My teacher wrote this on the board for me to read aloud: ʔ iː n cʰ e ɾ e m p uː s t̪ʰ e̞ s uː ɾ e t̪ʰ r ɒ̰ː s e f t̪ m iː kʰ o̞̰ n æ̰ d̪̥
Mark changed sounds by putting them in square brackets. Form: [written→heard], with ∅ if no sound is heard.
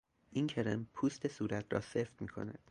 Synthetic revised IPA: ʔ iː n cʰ e ɾ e m [p→pʰ] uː s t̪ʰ e̞ s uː ɾ [e→æ] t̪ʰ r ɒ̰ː s e f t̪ m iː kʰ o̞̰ n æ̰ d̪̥

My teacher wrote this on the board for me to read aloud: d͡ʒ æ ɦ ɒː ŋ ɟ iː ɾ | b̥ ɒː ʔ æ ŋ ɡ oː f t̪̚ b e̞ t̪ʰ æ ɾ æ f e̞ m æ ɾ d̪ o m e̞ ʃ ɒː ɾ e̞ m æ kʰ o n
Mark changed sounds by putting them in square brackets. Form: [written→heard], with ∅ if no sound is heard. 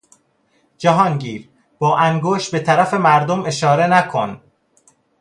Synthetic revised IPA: d͡ʒ æ ɦ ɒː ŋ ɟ iː ɾ | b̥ ɒː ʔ æ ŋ ɡ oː [f→ʃ] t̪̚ b e̞ t̪ʰ æ ɾ æ f e̞ m æ ɾ d̪ o m e̞ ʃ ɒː ɾ e̞ [m→n] æ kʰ o n

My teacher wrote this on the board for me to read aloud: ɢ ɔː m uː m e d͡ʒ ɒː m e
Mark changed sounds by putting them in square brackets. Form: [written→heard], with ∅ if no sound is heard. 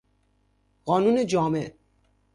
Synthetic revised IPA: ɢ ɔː [m→n] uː [m→n] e d͡ʒ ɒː m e

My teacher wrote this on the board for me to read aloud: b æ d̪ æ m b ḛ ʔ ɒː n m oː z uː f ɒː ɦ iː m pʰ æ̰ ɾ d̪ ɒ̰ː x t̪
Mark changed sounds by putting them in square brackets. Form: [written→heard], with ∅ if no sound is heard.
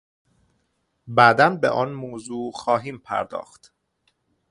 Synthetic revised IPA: b æ d̪ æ [m→n] b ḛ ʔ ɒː n m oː z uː [f→x] ɒː ɦ iː m pʰ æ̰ ɾ d̪ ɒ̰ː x t̪

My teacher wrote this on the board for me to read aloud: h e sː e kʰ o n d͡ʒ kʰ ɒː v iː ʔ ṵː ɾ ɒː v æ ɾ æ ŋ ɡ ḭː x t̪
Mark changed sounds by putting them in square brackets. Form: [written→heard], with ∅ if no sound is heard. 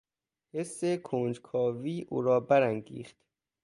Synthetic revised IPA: h e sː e kʰ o n d͡ʒ kʰ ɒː v iː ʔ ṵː ɾ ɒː [v→b] æ ɾ æ ŋ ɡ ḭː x t̪

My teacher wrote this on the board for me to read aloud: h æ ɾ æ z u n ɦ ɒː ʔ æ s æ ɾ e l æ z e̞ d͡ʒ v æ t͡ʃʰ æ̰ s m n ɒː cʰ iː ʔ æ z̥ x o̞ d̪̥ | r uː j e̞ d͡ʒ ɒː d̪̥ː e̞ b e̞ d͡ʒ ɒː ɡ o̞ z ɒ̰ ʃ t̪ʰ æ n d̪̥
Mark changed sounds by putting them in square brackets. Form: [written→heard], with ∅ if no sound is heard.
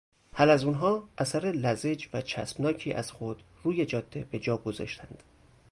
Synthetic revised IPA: h æ [ɾ→l] æ z u n ɦ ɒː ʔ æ s æ ɾ e l æ z e̞ d͡ʒ v æ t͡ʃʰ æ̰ s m n ɒː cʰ iː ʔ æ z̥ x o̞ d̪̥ | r uː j e̞ d͡ʒ ɒː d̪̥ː e̞ b e̞ d͡ʒ ɒː ɡ o̞ z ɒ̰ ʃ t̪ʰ æ n d̪̥

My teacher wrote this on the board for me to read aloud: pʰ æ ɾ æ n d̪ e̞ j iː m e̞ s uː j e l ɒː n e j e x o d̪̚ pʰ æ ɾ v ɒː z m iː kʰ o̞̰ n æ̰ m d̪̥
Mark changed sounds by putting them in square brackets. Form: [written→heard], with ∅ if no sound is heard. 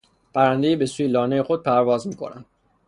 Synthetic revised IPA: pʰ æ ɾ æ n d̪ e̞ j iː [m→b] e̞ s uː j e l ɒː n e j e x o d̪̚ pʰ æ ɾ v ɒː z m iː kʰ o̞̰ n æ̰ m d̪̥

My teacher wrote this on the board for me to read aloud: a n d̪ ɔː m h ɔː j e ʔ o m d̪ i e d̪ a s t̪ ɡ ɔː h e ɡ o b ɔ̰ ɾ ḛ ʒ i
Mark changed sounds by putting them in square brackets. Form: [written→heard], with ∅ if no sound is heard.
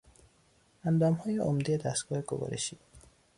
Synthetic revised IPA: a n d̪ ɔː m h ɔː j e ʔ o m d̪ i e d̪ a s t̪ ɡ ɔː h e ɡ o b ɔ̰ ɾ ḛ [ʒ→ʃ] i

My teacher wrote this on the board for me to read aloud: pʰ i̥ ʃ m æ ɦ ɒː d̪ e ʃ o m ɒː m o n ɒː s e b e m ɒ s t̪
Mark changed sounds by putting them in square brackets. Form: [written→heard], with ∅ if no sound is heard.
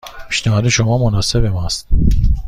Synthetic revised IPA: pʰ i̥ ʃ [m→n] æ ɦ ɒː d̪ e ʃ o m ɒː m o n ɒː s e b e m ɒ s t̪

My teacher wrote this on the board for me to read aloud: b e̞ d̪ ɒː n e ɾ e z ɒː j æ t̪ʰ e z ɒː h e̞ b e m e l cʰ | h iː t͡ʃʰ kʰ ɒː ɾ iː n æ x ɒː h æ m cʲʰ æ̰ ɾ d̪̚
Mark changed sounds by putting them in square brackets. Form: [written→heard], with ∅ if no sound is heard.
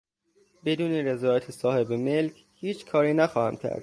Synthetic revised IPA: b e̞ d̪ [ɒː→uː] n e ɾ e z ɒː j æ t̪ʰ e [z→s] ɒː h e̞ b e m e l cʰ | h iː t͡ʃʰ kʰ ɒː ɾ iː n æ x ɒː h æ m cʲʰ æ̰ ɾ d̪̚

